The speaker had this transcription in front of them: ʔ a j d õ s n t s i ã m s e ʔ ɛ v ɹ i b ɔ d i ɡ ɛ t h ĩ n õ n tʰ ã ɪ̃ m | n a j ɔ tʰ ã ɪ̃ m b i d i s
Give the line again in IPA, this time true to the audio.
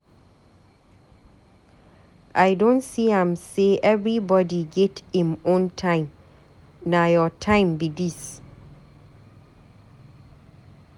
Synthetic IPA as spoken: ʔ a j d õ n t s i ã m s e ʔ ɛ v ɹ i b ɔ d i ɡ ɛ t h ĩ m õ n tʰ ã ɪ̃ m | n a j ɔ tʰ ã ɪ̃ m b i d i s